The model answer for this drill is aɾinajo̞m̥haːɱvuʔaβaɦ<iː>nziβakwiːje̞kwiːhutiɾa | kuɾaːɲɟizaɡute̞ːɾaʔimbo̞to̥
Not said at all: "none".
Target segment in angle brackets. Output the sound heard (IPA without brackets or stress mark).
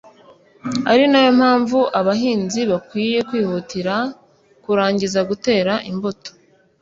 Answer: iː